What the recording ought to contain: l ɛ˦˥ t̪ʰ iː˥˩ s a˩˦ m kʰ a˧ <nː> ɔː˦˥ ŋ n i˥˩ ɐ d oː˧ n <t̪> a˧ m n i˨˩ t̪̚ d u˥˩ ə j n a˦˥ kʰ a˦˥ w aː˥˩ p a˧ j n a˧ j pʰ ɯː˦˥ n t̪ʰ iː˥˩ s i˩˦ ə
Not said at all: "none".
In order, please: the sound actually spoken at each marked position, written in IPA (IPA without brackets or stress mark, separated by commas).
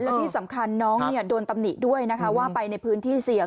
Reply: nː, t̪